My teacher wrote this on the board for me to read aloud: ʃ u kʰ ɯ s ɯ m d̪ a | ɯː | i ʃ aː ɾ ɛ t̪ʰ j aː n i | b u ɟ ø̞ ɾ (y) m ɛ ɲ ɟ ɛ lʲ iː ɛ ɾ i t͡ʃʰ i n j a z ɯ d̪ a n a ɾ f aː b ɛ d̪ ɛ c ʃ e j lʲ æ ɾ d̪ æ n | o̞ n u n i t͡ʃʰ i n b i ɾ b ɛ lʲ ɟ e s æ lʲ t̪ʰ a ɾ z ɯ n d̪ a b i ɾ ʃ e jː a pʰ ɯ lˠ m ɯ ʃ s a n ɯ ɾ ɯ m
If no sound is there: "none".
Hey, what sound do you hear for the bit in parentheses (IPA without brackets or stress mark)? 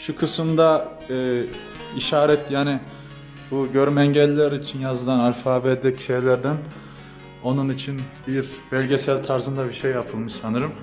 y